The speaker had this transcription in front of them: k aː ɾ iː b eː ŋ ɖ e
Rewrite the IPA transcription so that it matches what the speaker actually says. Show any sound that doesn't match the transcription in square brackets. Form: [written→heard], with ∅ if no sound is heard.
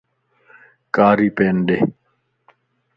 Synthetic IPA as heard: k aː ɾ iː [b→p] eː [ŋ→n] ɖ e